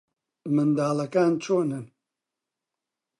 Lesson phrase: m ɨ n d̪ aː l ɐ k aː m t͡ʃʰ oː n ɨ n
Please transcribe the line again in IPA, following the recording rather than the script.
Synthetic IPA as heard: m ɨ n d̪ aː l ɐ k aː n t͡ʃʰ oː n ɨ n